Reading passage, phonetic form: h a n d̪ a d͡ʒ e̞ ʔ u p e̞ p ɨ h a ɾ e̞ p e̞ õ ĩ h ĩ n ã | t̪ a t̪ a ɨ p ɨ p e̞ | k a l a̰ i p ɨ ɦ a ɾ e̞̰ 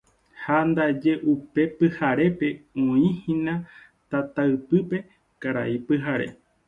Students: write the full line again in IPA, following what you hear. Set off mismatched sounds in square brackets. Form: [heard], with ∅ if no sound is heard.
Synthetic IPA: h a n d̪ a d͡ʒ e̞ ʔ u p e̞ p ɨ h a ɾ e̞ p e̞ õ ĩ h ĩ n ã | t̪ a t̪ a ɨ p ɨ p e̞ | k a [ɾ] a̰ i p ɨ ɦ a ɾ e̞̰